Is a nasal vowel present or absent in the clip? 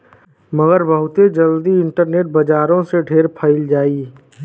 present